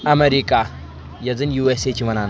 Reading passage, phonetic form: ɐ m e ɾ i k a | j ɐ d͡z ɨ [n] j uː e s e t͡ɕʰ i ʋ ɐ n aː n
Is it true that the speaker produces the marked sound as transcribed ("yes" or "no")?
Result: yes